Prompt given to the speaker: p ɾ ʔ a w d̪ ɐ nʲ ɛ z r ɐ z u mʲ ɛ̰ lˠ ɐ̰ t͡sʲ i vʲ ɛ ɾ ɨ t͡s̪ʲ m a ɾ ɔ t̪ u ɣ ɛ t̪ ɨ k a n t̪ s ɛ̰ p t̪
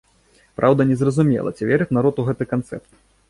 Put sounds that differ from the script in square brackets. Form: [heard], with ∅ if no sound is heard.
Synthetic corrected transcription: p ɾ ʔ a w d̪ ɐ nʲ ɛ z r ɐ z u mʲ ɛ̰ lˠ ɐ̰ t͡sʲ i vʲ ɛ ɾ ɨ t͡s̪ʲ [n] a ɾ ɔ t̪ u ɣ ɛ t̪ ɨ k a n t̪ s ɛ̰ p t̪